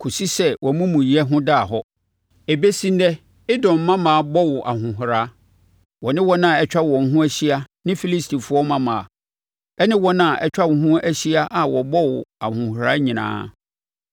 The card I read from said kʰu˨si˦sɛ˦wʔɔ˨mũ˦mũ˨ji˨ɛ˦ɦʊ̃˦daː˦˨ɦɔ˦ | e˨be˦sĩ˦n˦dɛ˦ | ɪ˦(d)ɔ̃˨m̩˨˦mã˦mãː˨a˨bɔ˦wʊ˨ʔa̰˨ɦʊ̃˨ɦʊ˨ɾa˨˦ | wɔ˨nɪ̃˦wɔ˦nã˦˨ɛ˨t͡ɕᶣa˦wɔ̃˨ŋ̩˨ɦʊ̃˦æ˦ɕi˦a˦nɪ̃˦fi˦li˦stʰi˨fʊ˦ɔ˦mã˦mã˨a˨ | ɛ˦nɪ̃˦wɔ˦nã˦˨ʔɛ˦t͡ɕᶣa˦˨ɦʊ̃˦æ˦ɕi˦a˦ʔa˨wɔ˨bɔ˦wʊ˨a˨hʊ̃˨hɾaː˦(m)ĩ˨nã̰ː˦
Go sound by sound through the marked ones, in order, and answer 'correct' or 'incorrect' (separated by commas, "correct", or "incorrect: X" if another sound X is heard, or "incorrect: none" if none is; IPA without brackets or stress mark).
correct, incorrect: ɲ